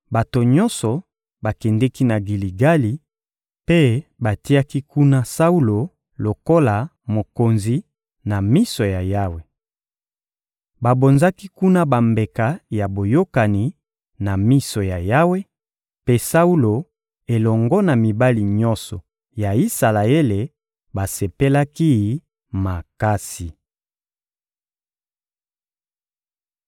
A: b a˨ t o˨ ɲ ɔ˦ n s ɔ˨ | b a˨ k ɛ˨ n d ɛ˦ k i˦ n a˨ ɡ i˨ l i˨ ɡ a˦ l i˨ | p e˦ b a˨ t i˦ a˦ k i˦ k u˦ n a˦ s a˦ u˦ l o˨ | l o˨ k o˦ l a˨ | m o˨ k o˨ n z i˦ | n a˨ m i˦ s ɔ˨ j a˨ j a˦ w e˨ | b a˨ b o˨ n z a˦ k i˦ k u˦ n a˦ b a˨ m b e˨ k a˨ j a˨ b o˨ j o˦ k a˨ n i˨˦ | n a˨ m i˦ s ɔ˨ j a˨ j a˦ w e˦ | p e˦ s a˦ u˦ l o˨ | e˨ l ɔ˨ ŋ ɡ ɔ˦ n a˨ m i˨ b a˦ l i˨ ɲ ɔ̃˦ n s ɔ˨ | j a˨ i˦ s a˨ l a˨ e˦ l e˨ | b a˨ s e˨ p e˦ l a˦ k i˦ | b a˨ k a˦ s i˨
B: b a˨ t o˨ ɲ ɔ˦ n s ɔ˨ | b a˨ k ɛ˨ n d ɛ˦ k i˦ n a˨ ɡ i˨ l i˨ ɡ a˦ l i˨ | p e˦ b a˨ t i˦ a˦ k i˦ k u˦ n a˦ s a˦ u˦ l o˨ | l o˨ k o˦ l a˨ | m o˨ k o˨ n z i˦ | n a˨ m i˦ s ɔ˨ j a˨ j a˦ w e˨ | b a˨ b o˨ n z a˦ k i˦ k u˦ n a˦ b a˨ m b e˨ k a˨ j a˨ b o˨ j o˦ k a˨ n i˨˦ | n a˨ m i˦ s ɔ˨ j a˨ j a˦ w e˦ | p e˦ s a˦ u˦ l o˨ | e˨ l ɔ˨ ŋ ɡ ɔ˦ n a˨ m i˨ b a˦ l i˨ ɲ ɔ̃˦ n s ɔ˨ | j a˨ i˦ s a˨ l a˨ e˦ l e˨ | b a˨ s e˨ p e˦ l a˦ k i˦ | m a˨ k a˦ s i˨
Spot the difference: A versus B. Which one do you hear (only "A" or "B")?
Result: B